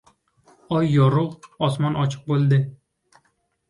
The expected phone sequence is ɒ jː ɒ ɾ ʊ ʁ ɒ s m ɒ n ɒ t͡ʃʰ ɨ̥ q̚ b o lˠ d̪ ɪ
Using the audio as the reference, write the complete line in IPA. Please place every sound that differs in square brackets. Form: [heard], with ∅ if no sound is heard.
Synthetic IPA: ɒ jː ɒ ɾ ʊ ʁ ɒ s m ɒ n ɒ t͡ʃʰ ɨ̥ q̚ b o lˠ d̪ ɪ